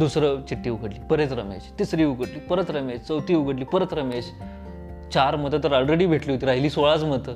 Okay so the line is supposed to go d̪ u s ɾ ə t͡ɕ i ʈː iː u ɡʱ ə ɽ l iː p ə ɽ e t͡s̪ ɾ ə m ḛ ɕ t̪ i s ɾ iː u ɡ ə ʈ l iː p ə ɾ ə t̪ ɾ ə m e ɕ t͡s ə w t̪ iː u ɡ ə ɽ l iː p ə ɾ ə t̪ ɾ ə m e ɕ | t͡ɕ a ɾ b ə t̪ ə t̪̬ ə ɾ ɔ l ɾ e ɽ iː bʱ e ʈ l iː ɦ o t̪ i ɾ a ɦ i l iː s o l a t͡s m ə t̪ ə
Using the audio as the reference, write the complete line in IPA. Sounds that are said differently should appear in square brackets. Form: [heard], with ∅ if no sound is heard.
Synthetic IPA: d̪ u s ɾ ə t͡ɕ i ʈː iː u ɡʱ ə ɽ l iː p ə [ɾ] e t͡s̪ ɾ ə m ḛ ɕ t̪ i s ɾ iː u ɡ ə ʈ l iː p ə ɾ ə t̪ ɾ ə m e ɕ t͡s ə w t̪ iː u ɡ ə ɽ l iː p ə ɾ ə t̪ ɾ ə m e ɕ | t͡ɕ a ɾ [m] ə t̪ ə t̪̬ ə ɾ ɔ l ɾ e ɽ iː bʱ e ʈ l iː ɦ o t̪ i ɾ a ɦ i l iː s o [ɭ] a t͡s m ə t̪ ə